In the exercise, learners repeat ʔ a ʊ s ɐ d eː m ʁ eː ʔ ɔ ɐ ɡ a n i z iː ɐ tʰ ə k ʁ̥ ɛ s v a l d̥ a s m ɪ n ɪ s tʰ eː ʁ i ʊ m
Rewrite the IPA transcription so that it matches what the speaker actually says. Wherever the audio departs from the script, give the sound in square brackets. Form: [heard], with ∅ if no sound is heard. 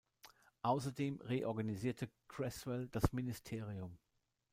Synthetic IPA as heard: ʔ a ʊ s ɐ d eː m ʁ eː ʔ ɔ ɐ ɡ a n i z iː ɐ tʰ ə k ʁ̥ ɛ s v [ɛ] l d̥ a s m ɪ n ɪ s tʰ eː ʁ i ʊ m